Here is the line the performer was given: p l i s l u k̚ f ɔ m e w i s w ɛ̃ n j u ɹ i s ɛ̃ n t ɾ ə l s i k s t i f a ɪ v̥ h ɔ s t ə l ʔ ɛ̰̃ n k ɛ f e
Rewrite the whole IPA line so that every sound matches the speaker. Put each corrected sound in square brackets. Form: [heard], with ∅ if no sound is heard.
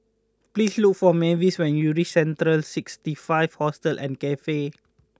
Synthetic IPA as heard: p l i s l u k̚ f ɔ m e [v] i s w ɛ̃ n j u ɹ i s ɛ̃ n t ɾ ə l s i k s t i f a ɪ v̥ h ɔ s t ə l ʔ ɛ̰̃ n k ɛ f e